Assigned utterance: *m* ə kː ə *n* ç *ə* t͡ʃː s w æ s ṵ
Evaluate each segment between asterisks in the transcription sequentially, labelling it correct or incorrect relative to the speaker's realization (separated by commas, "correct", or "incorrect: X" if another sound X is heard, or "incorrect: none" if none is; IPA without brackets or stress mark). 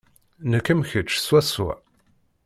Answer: incorrect: n, incorrect: m, correct